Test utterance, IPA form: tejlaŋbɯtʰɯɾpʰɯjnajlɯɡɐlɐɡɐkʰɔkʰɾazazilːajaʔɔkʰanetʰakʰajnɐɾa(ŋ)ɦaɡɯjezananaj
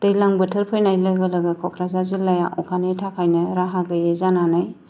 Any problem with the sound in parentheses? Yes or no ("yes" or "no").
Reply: yes